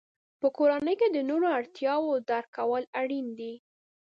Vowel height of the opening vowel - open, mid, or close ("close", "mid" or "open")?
mid